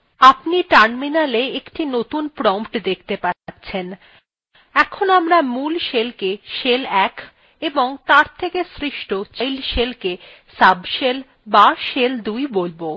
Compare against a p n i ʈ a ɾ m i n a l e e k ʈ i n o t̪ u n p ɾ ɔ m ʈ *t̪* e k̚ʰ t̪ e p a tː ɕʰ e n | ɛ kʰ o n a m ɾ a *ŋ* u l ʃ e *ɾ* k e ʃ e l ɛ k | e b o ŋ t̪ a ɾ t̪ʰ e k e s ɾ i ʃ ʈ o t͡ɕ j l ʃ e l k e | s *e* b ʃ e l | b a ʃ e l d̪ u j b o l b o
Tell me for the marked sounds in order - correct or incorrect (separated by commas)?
incorrect, incorrect, incorrect, incorrect